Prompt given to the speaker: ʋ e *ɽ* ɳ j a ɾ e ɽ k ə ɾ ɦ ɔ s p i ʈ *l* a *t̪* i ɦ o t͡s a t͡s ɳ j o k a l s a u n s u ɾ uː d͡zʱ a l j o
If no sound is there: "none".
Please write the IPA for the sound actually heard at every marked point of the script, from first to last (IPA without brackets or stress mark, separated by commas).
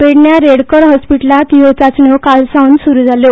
ɽ, l, t̪